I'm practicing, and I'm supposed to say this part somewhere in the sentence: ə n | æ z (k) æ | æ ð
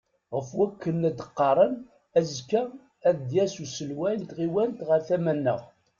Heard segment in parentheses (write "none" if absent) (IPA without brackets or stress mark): k